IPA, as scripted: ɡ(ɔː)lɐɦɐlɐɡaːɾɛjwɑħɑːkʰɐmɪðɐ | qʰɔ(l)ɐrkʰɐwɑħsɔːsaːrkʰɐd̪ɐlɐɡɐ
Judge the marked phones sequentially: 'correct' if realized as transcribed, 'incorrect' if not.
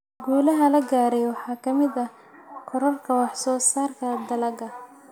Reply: incorrect, incorrect

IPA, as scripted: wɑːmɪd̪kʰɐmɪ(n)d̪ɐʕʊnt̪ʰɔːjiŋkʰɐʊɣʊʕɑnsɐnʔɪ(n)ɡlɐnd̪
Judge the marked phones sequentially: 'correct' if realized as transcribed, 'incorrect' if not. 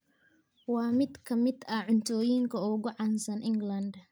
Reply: incorrect, incorrect

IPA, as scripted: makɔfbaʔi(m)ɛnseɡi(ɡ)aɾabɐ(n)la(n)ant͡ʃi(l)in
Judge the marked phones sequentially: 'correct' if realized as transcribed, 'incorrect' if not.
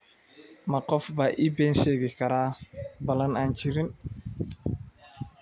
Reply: incorrect, incorrect, incorrect, correct, incorrect

